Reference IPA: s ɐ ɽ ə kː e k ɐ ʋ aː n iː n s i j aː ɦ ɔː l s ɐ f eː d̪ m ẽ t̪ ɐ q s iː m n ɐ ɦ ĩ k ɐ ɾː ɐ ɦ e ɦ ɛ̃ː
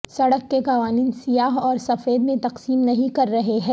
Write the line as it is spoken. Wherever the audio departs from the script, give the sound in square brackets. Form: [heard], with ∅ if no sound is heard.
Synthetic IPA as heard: s ɐ ɽ ə kː e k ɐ ʋ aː n iː n s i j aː ɦ ɔː [ɾ] s ɐ f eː d̪ m ẽ t̪ ɐ q s iː m n ɐ ɦ ĩ k ɐ ɾː ɐ ɦ e ɦ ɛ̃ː

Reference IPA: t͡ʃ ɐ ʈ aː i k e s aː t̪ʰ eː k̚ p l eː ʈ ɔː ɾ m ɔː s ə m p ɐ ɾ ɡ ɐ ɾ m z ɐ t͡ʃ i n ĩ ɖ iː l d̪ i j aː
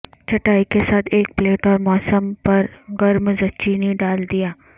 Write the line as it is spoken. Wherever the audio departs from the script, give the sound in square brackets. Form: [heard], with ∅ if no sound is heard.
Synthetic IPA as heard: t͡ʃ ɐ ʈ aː i k e s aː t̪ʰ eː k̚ p l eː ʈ ɔː ɾ m ɔː s ə m p ɐ ɾ ɡ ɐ ɾ m z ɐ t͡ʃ i n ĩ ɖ [aː] l d̪ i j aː

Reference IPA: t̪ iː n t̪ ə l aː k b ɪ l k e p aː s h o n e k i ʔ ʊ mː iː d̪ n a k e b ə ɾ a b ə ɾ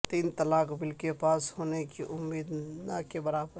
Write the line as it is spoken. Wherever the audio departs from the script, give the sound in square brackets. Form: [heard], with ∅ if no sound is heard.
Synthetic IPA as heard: t̪ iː n t̪ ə l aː k b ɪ l k e p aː s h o n e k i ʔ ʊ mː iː d̪ n a k e b ə ɾ a b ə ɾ

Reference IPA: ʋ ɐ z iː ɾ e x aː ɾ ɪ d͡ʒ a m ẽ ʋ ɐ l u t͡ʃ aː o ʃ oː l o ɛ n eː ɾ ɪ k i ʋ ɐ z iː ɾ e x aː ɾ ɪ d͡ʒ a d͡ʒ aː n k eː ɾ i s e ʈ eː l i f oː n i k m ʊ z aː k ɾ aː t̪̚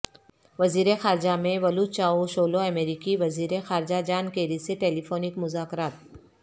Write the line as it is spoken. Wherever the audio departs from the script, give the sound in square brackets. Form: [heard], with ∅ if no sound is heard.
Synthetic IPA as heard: ʋ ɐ z iː ɾ e x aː ɾ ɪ d͡ʒ a m ẽ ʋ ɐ l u t͡ʃ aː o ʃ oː l o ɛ [m] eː ɾ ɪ k i ʋ ɐ z iː ɾ e x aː ɾ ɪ d͡ʒ a d͡ʒ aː n k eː ɾ i s e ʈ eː l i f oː n [ɪ] k m ʊ z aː k ɾ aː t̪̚

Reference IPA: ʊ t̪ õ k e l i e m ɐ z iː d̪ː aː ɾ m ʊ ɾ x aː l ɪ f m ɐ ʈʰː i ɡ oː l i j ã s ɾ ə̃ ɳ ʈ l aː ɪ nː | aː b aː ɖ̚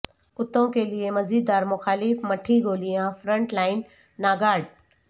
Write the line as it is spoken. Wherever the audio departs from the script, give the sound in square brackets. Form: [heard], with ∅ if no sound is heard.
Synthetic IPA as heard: ʊ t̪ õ k e l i e m ɐ z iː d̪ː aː ɾ m ʊ [∅] x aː l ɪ f m ɐ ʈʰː i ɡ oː l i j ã [f] ɾ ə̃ ɳ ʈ l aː ɪ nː | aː [ɡ] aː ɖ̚

